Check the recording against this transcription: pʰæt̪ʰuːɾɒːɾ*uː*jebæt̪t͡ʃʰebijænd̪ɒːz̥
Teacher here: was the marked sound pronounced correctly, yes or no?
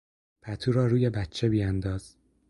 yes